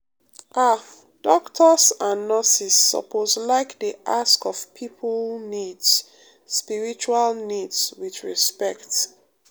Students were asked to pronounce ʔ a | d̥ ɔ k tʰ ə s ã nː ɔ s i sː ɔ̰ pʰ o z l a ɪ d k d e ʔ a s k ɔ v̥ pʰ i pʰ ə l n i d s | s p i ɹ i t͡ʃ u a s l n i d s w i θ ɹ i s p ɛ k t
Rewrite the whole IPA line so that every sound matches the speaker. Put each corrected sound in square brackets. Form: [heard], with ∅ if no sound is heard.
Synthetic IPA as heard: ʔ a | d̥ ɔ k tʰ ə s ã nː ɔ s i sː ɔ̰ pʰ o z l a ɪ [∅] k d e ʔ a s k ɔ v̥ pʰ i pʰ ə l n i d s | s p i ɹ i t͡ʃ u a [∅] l n i d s w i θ ɹ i s p ɛ k t